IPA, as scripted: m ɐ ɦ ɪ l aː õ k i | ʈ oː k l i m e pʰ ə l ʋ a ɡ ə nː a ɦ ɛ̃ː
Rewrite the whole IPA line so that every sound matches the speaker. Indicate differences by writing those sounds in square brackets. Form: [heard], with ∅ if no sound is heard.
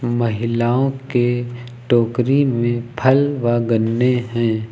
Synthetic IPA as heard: m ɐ ɦ ɪ l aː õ k [e] | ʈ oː k [ɾ] i m [ẽ] pʰ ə l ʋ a ɡ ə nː [e] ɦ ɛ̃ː

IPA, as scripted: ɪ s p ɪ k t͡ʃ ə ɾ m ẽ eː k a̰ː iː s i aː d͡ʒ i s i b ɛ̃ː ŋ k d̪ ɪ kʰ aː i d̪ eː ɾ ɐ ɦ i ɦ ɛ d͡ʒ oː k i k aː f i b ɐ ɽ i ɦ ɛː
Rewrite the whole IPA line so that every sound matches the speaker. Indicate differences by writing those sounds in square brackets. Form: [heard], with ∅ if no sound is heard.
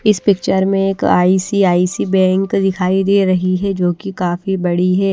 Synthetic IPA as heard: ɪ s p ɪ k t͡ʃ ə ɾ m ẽ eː k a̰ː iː s i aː [∅] i s i b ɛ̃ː ŋ k d̪ ɪ kʰ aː i d̪ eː ɾ ɐ ɦ i ɦ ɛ d͡ʒ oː k i k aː f i b ɐ ɽ i ɦ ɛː

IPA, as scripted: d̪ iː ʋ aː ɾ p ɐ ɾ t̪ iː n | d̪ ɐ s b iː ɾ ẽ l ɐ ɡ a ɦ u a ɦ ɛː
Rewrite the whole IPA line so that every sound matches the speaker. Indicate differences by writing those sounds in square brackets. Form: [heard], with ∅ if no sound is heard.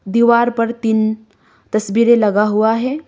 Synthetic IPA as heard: d̪ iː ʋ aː ɾ p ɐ ɾ t̪ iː n | [t̪] ɐ s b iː ɾ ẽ l ɐ ɡ a ɦ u a ɦ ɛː

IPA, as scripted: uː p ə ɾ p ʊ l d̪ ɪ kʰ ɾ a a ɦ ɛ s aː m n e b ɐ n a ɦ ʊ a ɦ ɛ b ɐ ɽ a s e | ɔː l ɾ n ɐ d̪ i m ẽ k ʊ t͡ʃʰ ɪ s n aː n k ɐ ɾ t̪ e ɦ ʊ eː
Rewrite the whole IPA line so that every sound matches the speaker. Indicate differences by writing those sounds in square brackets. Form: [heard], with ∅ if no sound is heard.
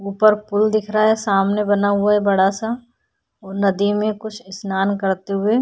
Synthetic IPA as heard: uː p ə ɾ p ʊ l d̪ ɪ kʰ ɾ a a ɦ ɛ s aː m n e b ɐ n a ɦ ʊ a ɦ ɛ b ɐ ɽ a s [a] | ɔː [∅] ɾ n ɐ d̪ i m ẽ k ʊ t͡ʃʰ ɪ s n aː n k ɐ ɾ t̪ e ɦ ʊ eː

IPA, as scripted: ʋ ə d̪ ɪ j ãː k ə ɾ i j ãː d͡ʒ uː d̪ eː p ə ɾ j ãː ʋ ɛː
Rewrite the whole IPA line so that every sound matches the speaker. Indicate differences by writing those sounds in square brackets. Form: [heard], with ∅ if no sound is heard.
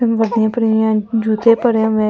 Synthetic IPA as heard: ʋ ə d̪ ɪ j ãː [p] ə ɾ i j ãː d͡ʒ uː [t̪] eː p ə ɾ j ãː ʋ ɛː

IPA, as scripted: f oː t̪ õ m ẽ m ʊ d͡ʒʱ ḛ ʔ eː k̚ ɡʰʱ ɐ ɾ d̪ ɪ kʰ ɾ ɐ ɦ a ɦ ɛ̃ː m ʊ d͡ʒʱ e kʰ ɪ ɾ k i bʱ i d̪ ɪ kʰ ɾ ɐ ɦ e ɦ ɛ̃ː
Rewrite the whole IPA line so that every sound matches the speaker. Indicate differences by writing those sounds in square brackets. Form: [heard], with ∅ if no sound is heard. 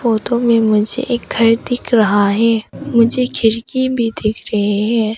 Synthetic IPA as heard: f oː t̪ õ m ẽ m ʊ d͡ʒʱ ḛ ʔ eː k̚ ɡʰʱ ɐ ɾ d̪ ɪ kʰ ɾ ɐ ɦ a ɦ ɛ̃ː m ʊ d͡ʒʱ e kʰ ɪ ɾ k i bʱ i d̪ ɪ kʰ ɾ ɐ ɦ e ɦ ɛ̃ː

